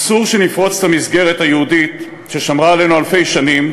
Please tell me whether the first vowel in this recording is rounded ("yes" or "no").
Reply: yes